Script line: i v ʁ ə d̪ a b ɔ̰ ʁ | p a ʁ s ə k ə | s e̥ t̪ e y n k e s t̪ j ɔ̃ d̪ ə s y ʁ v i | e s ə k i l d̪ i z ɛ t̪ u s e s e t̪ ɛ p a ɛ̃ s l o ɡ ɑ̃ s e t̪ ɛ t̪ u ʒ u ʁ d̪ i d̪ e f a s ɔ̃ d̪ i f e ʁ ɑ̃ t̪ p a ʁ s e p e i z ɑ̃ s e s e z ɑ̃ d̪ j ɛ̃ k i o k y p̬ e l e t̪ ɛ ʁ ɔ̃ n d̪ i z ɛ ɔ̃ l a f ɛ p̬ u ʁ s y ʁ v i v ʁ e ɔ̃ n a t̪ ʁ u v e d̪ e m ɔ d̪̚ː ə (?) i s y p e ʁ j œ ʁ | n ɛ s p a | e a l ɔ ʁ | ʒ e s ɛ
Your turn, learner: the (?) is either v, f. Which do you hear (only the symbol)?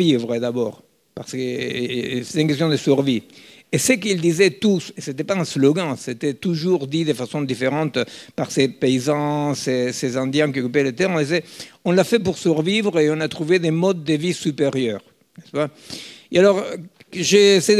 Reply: v